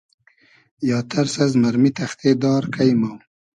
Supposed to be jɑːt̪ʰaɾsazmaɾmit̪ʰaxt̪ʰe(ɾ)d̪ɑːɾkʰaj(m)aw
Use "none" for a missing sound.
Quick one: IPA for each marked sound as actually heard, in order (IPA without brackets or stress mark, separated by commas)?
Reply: none, m